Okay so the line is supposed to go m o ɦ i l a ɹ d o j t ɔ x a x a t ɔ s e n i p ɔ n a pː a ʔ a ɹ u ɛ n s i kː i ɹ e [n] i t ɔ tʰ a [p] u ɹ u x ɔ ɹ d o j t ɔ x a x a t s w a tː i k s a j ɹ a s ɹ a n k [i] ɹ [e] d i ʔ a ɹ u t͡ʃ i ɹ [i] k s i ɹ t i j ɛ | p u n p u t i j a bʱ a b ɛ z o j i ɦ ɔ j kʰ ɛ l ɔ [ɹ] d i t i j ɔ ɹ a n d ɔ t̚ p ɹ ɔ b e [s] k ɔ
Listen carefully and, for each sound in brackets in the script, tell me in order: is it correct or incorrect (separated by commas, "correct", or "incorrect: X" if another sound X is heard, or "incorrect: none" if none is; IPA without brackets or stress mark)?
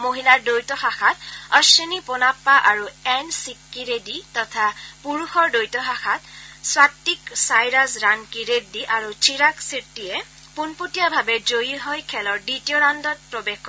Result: incorrect: d, correct, correct, correct, incorrect: a, correct, incorrect: x